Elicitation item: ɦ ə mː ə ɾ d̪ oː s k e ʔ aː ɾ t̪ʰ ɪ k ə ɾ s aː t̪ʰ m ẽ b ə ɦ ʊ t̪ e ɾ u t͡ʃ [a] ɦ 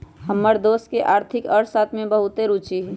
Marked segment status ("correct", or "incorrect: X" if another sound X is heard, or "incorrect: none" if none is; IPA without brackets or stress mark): incorrect: i